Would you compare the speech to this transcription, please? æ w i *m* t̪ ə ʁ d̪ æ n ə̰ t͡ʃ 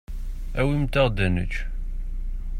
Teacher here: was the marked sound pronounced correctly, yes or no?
yes